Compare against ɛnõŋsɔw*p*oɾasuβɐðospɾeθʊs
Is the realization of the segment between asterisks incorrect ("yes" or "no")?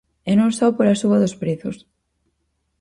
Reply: no